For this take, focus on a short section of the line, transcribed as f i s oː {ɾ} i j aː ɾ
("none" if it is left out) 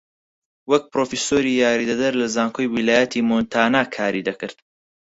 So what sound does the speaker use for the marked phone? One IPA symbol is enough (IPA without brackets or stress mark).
ɾ